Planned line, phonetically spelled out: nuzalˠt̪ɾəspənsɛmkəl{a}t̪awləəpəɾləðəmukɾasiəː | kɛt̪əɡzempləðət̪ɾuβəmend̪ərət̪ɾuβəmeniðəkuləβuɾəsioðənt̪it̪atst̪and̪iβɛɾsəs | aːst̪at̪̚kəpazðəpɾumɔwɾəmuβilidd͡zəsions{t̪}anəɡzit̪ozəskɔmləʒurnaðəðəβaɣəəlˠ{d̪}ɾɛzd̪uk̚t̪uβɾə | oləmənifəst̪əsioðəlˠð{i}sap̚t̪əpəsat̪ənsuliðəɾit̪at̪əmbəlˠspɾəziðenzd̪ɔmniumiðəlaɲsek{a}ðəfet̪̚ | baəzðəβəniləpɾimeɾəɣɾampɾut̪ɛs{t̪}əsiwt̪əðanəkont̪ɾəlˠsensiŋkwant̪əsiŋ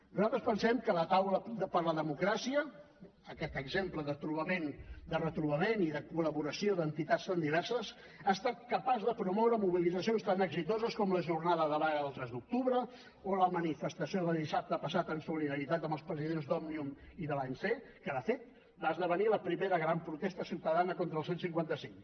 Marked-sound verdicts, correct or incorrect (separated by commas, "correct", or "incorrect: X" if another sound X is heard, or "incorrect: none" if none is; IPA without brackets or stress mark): incorrect: ə, correct, incorrect: t̪, correct, incorrect: ə, correct